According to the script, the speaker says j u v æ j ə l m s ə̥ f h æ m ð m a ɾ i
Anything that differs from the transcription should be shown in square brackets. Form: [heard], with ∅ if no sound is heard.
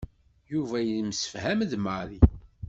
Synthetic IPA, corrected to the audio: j u v æ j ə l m s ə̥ f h æ m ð m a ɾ i